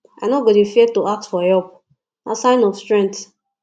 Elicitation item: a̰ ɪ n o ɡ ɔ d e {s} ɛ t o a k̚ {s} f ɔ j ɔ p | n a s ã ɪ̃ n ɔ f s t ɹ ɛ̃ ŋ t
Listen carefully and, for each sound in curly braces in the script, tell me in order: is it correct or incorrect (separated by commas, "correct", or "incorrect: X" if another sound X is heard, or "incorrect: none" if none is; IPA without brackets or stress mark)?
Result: incorrect: f, incorrect: t